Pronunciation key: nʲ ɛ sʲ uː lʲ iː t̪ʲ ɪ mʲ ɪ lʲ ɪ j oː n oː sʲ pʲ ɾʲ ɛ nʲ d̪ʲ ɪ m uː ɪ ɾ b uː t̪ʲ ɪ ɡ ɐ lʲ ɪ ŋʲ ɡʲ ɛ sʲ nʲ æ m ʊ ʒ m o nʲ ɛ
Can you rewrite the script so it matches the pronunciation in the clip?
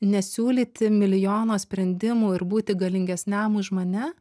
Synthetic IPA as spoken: nʲ ɛ sʲ uː lʲ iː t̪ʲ ɪ mʲ ɪ lʲ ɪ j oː n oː sʲ pʲ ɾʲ ɛ nʲ d̪ʲ ɪ m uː ɪ ɾ b uː t̪ʲ ɪ ɡ ɐ lʲ ɪ ŋʲ ɡʲ ɛ sʲ nʲ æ m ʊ ʒ m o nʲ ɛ